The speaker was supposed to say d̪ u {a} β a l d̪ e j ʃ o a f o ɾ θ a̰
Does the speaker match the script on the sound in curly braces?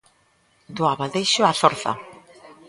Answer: yes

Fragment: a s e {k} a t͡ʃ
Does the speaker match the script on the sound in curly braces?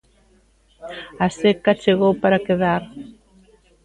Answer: yes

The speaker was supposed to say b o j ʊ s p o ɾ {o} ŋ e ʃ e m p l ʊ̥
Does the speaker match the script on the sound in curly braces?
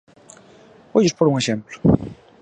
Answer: no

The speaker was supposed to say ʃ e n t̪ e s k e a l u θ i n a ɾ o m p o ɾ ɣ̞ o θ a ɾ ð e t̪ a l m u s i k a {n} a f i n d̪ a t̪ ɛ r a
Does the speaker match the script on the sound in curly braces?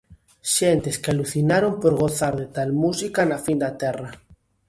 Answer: yes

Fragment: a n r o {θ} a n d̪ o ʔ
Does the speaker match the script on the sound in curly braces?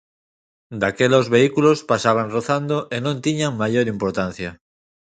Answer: yes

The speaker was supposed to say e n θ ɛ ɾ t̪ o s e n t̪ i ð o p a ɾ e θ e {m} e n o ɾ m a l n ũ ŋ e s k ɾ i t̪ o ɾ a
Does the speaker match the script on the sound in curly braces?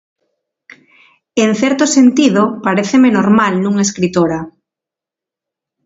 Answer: yes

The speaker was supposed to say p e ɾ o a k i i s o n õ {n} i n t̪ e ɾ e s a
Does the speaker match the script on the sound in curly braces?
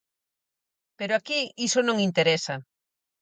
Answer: no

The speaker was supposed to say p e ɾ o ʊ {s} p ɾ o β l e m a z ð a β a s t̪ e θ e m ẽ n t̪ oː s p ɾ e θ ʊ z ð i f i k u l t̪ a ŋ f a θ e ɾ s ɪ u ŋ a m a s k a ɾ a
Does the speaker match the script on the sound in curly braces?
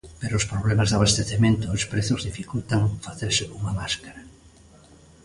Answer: yes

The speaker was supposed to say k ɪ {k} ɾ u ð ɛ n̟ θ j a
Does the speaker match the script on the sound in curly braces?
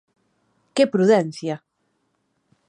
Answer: no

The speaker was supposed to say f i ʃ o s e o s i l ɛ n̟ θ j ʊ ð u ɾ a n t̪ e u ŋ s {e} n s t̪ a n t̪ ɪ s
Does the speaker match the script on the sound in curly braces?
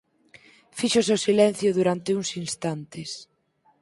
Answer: no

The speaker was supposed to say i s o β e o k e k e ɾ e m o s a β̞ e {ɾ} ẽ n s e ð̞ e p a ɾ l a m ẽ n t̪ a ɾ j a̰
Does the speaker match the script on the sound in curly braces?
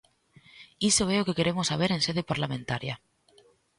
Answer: yes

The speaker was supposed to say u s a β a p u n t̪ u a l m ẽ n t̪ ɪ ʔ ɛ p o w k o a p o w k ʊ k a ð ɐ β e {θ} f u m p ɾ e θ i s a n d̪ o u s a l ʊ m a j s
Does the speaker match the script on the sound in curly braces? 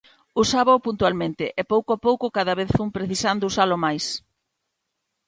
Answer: yes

